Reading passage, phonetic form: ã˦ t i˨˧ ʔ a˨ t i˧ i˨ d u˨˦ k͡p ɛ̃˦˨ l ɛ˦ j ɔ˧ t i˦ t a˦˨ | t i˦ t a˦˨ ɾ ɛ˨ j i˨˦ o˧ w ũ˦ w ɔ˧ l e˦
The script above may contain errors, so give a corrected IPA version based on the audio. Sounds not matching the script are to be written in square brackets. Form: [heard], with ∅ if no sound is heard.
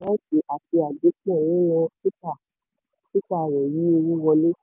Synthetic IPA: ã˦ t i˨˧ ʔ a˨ t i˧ [a˨] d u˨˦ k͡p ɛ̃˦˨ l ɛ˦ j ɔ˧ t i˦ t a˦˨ | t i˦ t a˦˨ ɾ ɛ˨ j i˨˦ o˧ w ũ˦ w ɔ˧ l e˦